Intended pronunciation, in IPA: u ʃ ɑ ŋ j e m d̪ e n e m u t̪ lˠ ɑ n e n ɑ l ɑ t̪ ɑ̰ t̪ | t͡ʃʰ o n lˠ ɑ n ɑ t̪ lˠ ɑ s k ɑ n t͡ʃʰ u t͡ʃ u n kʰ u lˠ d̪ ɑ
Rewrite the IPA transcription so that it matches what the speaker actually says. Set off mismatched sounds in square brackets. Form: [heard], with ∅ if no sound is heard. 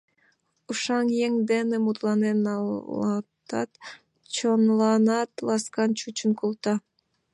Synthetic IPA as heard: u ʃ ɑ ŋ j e [ŋ] d̪ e n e m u t̪ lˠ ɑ n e n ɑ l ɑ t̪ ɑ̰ t̪ | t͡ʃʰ o n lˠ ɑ n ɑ t̪ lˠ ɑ s k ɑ n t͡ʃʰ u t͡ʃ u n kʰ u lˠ [t̪] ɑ